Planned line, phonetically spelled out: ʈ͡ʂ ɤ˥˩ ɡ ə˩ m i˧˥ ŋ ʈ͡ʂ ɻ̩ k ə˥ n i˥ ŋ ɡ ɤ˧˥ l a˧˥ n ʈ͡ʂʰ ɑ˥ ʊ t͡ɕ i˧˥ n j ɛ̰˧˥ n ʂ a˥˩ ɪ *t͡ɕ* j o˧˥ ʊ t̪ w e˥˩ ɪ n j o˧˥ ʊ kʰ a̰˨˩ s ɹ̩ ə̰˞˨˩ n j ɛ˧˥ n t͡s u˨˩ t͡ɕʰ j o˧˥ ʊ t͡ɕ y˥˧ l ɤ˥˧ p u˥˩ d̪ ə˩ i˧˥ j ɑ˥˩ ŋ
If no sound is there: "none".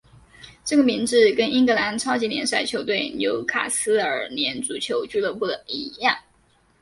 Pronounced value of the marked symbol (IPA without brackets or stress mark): t͡ɕʰ